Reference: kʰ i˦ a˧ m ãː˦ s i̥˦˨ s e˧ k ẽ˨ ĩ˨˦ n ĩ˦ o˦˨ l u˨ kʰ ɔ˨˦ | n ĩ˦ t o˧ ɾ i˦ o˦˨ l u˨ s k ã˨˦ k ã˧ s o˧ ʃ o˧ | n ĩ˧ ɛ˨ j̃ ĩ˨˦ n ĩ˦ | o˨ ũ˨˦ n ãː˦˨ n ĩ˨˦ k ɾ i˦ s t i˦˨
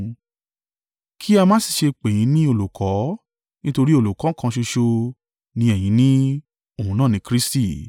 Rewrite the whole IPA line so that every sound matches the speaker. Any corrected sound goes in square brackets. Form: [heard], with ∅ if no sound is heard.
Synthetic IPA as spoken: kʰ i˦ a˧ m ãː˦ s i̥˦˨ [ʃ] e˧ [k͡p] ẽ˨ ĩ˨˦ n ĩ˦ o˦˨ l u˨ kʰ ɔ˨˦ | n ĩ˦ t o˧ ɾ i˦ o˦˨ l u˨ [∅] k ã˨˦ k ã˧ [ʃ] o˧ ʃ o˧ | n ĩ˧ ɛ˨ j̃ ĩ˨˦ n ĩ˦ | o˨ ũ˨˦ n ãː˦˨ n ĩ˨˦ k ɾ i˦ s t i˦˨